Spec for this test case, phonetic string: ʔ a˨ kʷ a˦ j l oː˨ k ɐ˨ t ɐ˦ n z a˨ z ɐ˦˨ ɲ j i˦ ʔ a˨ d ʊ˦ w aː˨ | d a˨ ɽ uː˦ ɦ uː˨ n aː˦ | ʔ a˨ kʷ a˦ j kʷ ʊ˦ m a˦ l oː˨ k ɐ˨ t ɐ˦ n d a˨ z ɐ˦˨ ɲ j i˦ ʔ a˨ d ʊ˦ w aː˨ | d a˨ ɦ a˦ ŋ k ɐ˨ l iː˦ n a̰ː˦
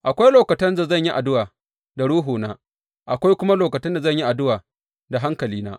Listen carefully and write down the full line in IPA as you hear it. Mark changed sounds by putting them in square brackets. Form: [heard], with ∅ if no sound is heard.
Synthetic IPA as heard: ʔ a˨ kʷ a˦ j l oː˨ k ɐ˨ t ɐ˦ n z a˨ z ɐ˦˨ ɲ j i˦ ʔ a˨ d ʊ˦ w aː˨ | d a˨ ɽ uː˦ ɦ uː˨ n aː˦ | ʔ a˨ kʷ a˦ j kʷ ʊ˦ m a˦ l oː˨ k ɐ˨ t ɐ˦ n d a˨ z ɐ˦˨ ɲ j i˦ ʔ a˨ d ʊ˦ w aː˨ | d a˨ ɦ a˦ ŋ k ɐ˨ l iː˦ n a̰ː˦